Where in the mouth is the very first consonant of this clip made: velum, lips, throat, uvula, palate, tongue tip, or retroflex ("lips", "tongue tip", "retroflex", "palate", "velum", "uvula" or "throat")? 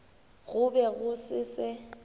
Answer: velum